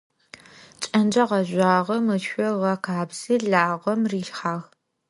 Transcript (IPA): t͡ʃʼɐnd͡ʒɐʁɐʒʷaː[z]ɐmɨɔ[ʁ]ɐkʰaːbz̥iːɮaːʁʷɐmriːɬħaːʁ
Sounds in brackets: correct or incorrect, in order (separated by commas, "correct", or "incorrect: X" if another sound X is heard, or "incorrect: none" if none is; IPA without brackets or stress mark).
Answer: incorrect: ʁ, correct